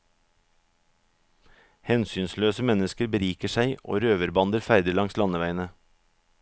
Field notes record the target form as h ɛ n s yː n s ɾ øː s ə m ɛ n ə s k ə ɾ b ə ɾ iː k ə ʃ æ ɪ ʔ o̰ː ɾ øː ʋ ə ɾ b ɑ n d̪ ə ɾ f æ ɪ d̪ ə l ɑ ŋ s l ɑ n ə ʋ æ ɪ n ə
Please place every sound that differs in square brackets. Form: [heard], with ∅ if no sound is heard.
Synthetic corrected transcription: h ɛ n s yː n s [l] øː s ə m ɛ n ə s k ə ɾ b ə ɾ iː k ə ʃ æ ɪ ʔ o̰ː ɾ øː ʋ ə ɾ b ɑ n d̪ ə ɾ f æ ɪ d̪ ə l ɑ ŋ s l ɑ n ə ʋ æ ɪ n ə